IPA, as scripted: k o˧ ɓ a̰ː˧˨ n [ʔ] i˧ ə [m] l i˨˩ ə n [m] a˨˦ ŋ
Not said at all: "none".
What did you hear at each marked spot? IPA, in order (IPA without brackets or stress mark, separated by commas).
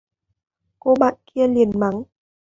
k, none, m